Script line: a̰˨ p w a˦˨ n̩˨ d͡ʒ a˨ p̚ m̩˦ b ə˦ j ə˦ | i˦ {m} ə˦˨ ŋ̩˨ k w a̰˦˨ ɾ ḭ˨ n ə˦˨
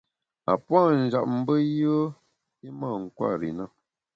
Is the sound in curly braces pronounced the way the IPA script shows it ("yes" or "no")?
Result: yes